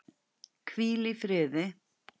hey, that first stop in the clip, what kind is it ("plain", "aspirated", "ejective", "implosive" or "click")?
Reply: aspirated